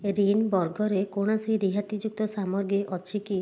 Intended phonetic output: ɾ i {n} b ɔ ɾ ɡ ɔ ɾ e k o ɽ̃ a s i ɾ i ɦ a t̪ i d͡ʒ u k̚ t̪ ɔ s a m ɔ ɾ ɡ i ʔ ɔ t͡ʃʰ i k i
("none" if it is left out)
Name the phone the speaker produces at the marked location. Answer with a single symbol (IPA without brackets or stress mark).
n